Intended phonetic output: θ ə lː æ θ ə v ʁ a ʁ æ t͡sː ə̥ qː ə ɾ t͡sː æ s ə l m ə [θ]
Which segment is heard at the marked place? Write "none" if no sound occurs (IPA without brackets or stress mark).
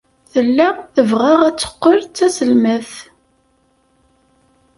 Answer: θ